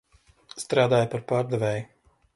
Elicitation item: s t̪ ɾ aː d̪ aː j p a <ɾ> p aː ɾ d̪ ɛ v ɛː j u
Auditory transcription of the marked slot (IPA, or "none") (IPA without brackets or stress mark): ɾ